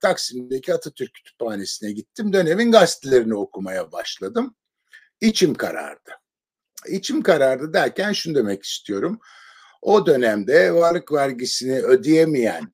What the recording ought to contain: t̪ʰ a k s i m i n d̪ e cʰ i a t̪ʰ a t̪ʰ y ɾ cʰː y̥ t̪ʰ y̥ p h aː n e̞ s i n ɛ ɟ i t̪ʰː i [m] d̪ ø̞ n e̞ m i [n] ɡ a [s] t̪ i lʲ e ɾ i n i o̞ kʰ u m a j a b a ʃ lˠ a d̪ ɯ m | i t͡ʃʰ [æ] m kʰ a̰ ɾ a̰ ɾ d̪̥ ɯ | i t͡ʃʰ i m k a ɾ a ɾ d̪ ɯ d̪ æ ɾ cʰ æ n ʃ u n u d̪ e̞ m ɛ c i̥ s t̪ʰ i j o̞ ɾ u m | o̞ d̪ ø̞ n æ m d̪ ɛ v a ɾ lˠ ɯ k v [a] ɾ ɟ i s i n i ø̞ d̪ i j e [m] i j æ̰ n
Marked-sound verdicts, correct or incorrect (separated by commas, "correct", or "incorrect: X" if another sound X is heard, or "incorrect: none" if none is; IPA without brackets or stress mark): correct, correct, correct, incorrect: i, incorrect: æ, correct